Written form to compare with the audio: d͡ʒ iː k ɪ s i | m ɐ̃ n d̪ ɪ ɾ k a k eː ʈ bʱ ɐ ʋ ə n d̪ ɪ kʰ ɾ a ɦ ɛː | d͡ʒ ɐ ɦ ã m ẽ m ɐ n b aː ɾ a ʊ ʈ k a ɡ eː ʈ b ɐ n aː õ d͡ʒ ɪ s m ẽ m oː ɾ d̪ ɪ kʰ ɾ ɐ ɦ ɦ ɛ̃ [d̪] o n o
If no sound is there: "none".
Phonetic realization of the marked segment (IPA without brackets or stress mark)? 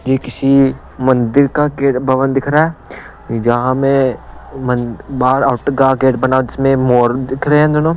d̪